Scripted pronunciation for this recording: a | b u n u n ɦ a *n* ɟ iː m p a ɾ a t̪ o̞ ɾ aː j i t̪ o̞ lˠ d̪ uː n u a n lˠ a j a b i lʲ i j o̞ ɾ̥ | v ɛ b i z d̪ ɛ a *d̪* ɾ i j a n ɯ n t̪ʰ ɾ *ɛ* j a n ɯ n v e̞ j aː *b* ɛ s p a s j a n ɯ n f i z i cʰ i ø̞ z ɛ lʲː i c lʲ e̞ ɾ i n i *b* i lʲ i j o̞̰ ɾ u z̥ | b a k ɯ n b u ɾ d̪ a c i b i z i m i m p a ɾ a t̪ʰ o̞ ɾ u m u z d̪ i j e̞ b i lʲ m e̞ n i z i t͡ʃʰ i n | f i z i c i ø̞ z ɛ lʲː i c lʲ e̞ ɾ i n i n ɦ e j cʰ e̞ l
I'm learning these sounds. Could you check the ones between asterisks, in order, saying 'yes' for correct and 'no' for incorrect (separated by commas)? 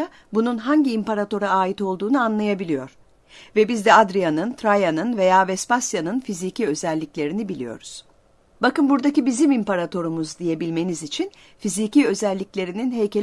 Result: no, yes, no, no, yes